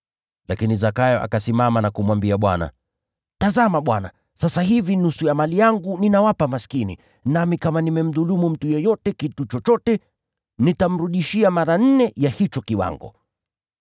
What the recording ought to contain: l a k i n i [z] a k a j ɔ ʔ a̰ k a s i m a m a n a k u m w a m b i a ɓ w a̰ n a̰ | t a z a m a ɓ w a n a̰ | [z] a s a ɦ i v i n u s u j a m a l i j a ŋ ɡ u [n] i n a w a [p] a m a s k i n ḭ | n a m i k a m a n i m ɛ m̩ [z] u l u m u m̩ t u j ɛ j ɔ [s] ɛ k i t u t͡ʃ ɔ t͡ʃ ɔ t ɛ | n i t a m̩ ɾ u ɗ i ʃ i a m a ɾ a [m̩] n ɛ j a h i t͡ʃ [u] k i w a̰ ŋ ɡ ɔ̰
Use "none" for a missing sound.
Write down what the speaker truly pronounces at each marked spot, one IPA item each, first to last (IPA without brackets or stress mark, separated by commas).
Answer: z, s, n, p, ð, t, n̩, ɔ